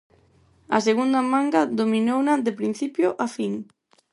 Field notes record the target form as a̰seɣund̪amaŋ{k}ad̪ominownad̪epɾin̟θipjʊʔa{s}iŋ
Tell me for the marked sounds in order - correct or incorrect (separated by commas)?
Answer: incorrect, incorrect